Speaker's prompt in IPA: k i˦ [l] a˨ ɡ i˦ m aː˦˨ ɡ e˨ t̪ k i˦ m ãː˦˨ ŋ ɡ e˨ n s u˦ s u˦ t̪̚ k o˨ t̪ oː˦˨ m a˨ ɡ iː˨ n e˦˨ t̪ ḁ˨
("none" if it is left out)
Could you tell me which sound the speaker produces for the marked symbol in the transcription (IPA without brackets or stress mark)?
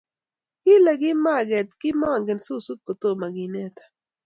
l